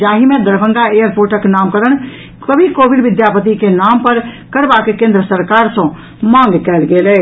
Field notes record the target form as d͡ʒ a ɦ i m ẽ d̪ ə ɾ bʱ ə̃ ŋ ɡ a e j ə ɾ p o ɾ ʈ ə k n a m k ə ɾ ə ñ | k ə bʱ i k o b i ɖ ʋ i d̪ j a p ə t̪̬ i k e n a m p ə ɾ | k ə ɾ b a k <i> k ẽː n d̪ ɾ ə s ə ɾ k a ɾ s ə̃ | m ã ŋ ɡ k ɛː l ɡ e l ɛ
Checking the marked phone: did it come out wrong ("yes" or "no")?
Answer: yes